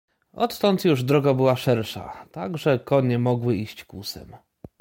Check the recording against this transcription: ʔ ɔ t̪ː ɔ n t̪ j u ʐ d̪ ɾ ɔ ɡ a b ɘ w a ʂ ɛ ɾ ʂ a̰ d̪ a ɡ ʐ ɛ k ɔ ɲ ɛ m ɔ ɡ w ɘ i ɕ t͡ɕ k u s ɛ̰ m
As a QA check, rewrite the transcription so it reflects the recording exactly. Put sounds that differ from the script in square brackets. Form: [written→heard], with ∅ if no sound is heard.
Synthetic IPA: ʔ ɔ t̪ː ɔ n t̪ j u ʐ d̪ ɾ ɔ ɡ a b ɘ w a ʂ ɛ ɾ ʂ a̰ [d̪→t̪] a ɡ ʐ ɛ k ɔ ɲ ɛ m ɔ ɡ w ɘ i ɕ t͡ɕ k u s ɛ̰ m